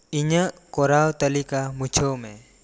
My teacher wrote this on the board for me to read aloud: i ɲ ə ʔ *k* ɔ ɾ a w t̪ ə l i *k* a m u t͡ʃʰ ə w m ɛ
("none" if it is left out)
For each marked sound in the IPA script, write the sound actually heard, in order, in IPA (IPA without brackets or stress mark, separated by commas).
k, k